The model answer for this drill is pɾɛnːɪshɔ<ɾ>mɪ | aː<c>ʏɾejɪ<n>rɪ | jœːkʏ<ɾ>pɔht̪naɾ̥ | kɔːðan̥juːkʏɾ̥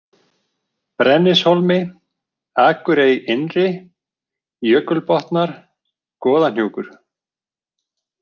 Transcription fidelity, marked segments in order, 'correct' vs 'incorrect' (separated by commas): incorrect, incorrect, correct, incorrect